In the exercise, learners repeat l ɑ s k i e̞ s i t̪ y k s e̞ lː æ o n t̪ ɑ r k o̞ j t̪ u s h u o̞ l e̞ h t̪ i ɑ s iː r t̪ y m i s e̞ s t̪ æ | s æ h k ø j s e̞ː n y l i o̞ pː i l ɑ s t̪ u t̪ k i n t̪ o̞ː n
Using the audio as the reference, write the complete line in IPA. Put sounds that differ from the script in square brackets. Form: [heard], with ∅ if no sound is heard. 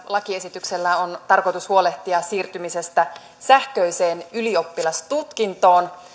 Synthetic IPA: l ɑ [∅] k i e̞ s i t̪ y k s e̞ lː æ o n t̪ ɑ r k o̞ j t̪ u s h u o̞ l e̞ h t̪ i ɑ s iː r t̪ y m i s e̞ s t̪ æ | s æ h k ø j s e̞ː n y l i o̞ pː i l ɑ s t̪ u t̪ k i n t̪ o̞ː n

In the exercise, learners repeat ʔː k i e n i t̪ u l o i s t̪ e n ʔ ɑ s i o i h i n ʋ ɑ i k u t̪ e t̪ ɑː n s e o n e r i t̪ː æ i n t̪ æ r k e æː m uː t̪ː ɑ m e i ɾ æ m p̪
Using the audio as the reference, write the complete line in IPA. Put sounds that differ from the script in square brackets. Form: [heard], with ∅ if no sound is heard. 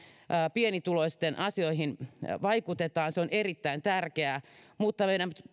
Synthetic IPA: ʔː [p] i e n i t̪ u l o i s t̪ e n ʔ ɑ s i o i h i n ʋ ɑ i k u t̪ e t̪ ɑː n s e o n e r i t̪ː æ i n t̪ æ r k e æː m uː t̪ː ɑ m e i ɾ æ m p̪

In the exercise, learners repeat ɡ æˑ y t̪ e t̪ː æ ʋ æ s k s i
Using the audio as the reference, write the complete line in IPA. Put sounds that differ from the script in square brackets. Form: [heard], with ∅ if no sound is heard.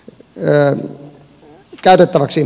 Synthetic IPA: [k] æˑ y t̪ e t̪ː æ ʋ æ [∅] k s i

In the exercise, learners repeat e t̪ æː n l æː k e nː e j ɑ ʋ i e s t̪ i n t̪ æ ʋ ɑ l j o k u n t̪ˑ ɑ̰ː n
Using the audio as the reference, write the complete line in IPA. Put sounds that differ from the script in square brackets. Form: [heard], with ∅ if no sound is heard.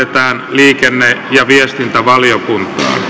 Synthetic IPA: e t̪ æː n l [iː] k e nː e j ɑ ʋ i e s t̪ i n t̪ æ ʋ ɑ l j o k u n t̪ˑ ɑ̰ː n

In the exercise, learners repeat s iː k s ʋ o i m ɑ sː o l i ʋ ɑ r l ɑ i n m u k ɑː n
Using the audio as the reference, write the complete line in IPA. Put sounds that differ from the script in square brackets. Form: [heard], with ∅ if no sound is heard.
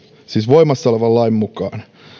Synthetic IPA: s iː [∅] s ʋ o i m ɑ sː o l [e] ʋ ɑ [l] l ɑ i [m] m u k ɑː n

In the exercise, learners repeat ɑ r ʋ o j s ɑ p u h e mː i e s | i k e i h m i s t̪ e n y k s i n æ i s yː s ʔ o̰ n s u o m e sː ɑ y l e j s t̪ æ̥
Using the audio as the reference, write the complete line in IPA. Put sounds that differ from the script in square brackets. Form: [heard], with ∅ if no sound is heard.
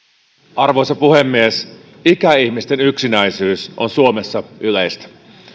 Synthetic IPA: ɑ r ʋ o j s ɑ p u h e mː i e s | i k [æ] i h m i s t̪ e n y k s i n æ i s yː s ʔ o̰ n s u o m e sː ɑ y l e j s t̪ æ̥

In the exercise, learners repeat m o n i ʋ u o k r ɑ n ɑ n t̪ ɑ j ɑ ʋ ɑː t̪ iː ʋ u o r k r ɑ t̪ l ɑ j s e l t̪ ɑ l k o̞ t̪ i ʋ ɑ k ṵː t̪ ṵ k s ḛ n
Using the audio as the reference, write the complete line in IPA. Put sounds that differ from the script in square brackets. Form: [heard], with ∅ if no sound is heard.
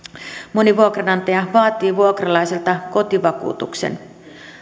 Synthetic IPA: m o n i ʋ u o k r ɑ n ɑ n t̪ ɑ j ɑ ʋ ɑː t̪ iː ʋ u o [∅] k r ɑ [∅] l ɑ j s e l t̪ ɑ [∅] k o̞ t̪ i ʋ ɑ k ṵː t̪ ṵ k s ḛ n

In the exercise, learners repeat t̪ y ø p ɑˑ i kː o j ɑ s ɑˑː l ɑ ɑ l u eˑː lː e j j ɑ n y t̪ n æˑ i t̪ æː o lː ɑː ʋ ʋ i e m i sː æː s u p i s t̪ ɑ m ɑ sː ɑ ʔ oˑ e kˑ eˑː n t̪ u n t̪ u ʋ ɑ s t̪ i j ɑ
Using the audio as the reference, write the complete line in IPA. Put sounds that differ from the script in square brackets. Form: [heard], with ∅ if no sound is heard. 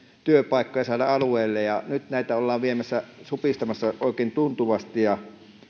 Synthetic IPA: t̪ y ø p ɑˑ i kː o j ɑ s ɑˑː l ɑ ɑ l u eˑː lː e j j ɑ n y t̪ n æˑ i t̪ [æ] o lː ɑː ʋ ʋ i e m [æ] sː [æ] s u p i s t̪ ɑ m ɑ sː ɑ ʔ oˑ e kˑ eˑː n t̪ u n t̪ u ʋ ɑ s t̪ i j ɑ

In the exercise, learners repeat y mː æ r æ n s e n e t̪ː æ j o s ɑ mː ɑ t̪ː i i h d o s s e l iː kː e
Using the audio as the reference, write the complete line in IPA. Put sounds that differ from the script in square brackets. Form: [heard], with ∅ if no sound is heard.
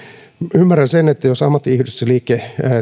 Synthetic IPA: y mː æ r æ n s e n e t̪ː æ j o s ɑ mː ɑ t̪ː i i h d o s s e l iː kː e

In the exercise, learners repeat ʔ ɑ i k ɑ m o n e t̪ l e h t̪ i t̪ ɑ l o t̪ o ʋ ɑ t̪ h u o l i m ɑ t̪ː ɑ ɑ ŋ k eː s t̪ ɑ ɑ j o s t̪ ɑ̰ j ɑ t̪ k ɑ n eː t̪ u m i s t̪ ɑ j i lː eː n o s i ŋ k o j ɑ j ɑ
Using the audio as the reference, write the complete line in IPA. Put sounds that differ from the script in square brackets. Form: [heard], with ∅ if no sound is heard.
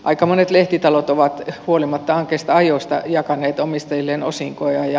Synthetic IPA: ʔ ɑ i k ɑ m o n e t̪ l e h t̪ i t̪ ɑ l o t̪ o ʋ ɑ t̪ h u o l i m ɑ t̪ː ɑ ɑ ŋ k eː s t̪ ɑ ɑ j o s t̪ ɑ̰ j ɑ [∅] k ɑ n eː t̪ [o] m i s t̪ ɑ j i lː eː n o s i ŋ k o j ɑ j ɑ

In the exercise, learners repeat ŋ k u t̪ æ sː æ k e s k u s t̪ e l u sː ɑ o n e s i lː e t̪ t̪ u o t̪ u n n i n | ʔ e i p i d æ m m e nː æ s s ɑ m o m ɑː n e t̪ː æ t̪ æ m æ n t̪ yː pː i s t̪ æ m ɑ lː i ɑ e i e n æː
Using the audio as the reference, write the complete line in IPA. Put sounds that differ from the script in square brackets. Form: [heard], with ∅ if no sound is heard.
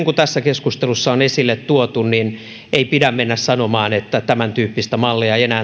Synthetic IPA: ŋ k u t̪ æ sː æ k e s k u s t̪ e l u sː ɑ o n e s i lː e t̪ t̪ u o t̪ u n n i n | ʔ e i p i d æ m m e nː æ s s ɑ [n] o m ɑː n e t̪ː æ t̪ æ m æ n t̪ yː pː i s t̪ æ m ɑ lː i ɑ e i e n æː

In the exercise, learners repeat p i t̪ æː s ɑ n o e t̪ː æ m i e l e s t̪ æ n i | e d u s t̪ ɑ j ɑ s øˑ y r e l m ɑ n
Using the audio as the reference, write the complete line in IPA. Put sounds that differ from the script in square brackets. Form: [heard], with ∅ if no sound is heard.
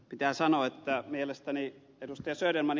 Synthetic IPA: p i t̪ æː s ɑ n o e t̪ː æ m i e l e s t̪ æ n i | e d u s t̪ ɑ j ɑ s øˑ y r e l m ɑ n

